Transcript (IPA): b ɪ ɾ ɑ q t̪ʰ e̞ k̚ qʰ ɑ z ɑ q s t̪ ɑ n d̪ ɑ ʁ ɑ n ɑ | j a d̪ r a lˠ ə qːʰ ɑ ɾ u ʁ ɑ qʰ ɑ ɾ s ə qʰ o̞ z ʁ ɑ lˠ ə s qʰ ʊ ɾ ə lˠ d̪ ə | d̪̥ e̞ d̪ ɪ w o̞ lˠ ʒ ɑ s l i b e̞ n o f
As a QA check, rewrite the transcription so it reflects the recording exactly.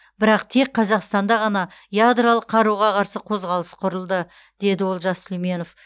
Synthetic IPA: b ɪ ɾ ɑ q t̪ʰ e̞ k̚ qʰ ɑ z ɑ q s t̪ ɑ n d̪ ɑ ʁ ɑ n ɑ | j a d̪ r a lˠ ə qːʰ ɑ ɾ u ʁ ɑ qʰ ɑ ɾ s ə qʰ o̞ z ʁ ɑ lˠ ə s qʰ ʊ ɾ ə lˠ d̪ ə | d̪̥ e̞ d̪ ɪ w o̞ lˠ ʒ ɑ s l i m e̞ n o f